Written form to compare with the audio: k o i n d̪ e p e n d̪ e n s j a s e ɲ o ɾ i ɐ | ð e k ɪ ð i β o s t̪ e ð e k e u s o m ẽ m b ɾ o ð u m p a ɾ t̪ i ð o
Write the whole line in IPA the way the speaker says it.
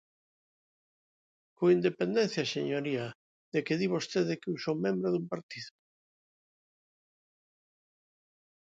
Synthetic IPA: k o i n d̪ e p e n d̪ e n θ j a s e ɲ o ɾ i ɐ | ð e k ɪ ð i β o s t̪ e ð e k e u s o m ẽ m b ɾ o ð u m p a ɾ t̪ i ð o